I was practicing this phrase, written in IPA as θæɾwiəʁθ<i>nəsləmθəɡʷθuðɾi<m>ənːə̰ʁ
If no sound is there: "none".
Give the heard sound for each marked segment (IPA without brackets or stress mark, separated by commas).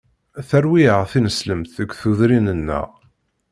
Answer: i, n